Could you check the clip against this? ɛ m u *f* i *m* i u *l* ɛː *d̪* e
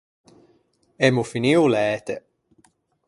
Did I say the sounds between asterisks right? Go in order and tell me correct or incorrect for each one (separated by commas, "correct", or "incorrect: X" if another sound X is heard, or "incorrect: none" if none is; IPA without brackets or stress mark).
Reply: correct, incorrect: n, correct, incorrect: t̪